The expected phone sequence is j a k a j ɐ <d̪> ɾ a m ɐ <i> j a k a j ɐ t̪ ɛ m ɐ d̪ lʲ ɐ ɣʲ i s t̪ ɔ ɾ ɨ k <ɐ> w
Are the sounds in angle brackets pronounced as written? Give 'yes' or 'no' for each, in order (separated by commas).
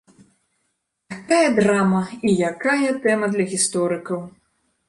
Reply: yes, yes, yes